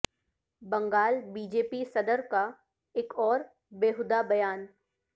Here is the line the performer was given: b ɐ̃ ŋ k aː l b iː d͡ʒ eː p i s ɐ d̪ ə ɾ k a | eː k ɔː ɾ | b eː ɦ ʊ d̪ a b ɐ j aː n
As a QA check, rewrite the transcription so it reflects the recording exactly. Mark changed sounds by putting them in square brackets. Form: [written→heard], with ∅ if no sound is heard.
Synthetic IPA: b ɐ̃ ŋ [k→ɡ] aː l b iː d͡ʒ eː p i s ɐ d̪ ə ɾ k a | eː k ɔː ɾ | b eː ɦ ʊ d̪ a b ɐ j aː n

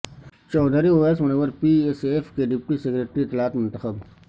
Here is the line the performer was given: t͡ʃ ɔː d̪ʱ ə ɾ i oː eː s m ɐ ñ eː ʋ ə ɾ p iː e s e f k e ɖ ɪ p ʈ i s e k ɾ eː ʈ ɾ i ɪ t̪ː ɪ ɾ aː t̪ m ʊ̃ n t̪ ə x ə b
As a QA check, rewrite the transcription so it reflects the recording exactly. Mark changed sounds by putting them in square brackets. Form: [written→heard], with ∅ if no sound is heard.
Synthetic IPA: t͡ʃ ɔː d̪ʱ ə ɾ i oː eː s m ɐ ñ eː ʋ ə ɾ p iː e s e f k e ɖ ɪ p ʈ i s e k ɾ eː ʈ ɾ i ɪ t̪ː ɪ [ɾ→l] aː t̪ m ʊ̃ n t̪ ə x ə b

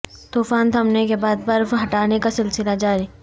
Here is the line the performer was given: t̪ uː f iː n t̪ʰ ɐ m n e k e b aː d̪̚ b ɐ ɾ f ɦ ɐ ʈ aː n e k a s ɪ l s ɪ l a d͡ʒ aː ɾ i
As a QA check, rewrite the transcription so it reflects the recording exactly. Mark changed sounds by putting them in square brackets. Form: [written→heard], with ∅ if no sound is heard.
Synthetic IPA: t̪ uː f [iː→aː] n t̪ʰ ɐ m n e k e b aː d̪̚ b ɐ ɾ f ɦ ɐ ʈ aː n e k a s ɪ l s ɪ l a d͡ʒ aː ɾ i

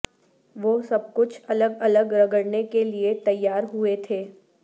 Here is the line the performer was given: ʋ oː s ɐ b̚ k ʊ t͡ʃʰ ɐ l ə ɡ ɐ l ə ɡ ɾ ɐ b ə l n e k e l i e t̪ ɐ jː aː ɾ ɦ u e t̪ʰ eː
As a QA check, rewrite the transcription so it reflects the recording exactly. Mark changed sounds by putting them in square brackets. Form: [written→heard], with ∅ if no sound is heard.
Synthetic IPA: ʋ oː s ɐ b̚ k ʊ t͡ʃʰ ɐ l ə ɡ ɐ l ə ɡ ɾ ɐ [b→ɡ] ə [l→ɽ] n e k e l i e t̪ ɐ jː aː ɾ ɦ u e t̪ʰ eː

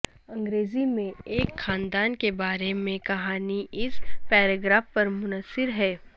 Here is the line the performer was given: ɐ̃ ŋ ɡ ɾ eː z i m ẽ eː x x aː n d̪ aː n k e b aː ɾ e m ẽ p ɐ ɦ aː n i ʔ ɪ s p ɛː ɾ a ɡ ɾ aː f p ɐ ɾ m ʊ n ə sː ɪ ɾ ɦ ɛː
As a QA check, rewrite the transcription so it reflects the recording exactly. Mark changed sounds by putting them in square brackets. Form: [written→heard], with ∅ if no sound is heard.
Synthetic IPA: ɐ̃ ŋ ɡ ɾ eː z i m ẽ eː [x→k] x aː n d̪ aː n k e b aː ɾ e m ẽ [p→k] ɐ ɦ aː n i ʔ ɪ s p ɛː ɾ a ɡ ɾ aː f p ɐ ɾ m ʊ n ə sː ɪ ɾ ɦ ɛː

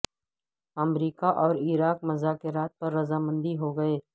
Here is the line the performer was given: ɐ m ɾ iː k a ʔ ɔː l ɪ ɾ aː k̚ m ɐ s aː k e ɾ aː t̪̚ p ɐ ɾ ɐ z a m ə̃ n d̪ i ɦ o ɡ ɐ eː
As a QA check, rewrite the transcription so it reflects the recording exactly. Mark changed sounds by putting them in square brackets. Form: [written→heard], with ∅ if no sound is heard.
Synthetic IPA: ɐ m ɾ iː k a ʔ ɔː [l→ɾ] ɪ ɾ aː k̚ m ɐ [s→z] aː k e ɾ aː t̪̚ p ɐ [ɾ→ɾː] ɐ z a m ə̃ n d̪ i ɦ o ɡ ɐ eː

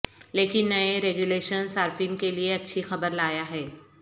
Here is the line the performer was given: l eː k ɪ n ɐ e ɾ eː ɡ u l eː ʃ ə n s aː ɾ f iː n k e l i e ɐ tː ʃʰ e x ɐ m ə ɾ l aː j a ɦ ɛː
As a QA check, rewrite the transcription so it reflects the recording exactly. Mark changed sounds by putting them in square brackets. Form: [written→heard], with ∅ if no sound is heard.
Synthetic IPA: l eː k ɪ [n→nː] ɐ e ɾ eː ɡ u l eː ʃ ə n s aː ɾ f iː n k e l i e ɐ tː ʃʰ [e→i] x ɐ [m→b] ə ɾ l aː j a ɦ ɛː

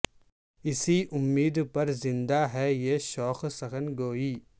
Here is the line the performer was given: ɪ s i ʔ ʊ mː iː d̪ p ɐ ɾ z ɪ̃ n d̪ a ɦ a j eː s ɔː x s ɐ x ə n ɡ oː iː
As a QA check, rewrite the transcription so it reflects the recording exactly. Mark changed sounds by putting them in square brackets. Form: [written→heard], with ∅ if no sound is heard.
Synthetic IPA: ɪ s i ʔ ʊ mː iː d̪ p ɐ ɾ z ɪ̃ n d̪ a ɦ [a→ɛ] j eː [s→ʃ] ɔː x s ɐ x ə n ɡ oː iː

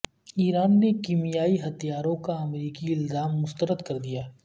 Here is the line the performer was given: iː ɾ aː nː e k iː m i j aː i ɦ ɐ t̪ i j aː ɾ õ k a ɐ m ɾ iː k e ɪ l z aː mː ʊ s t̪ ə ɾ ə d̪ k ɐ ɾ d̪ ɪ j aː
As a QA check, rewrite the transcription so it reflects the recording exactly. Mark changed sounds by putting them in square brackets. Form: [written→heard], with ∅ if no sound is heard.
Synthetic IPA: iː ɾ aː nː e k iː m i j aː i ɦ ɐ t̪ i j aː ɾ õ k a ɐ m ɾ iː k [e→i] ɪ l z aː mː ʊ s t̪ ə ɾ ə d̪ k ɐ ɾ d̪ [ɪ→i] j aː

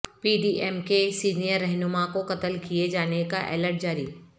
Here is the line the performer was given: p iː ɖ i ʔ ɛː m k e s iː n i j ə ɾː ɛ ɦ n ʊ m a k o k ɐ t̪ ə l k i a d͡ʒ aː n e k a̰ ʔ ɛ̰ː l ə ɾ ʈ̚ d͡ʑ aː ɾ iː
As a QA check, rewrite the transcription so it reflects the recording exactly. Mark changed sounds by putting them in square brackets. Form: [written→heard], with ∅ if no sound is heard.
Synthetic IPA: p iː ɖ i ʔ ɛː m k e s iː n i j ə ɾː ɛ ɦ n ʊ m a k o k ɐ t̪ ə l k i [a→e] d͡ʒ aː n e k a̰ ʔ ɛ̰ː l ə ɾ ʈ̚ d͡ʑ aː ɾ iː

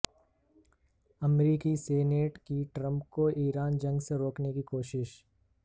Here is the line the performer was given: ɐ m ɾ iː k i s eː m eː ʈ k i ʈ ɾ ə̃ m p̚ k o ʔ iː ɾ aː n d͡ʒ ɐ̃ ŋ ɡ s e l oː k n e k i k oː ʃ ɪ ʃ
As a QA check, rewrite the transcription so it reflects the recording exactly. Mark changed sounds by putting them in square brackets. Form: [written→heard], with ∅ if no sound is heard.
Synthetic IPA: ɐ m ɾ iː k i s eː [m→n] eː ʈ k i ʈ ɾ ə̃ m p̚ k o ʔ iː ɾ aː n d͡ʒ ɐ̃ ŋ ɡ s e [l→ɾ] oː k n e k i k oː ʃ ɪ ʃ

